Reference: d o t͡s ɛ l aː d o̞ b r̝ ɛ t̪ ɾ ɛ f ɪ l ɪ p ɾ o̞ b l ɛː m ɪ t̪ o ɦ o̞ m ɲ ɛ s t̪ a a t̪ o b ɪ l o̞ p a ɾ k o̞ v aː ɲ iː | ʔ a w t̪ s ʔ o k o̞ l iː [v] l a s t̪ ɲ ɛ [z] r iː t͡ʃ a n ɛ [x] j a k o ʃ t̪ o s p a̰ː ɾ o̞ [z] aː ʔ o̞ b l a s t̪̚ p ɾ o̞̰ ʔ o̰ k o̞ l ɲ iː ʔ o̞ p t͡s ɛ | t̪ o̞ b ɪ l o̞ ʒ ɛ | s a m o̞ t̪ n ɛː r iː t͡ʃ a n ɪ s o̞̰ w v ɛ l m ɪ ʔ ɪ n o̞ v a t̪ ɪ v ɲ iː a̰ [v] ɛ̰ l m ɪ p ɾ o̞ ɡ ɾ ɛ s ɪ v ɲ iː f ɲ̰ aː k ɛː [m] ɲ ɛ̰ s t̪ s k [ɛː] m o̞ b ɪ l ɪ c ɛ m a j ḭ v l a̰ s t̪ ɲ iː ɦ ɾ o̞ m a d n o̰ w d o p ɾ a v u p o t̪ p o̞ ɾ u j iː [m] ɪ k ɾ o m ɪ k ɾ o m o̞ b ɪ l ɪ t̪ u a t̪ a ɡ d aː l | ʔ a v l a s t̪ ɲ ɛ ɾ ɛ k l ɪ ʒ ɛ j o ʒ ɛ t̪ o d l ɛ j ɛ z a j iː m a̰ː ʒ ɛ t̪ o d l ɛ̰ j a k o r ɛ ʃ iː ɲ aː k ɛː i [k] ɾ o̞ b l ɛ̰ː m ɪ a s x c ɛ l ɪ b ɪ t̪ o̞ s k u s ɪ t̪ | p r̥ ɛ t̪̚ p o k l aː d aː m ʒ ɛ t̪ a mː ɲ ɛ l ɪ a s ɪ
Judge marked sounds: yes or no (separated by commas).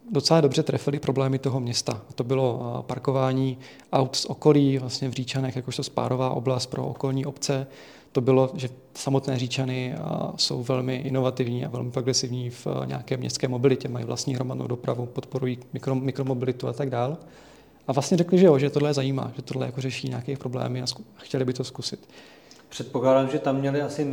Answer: yes, no, yes, no, yes, yes, yes, yes, no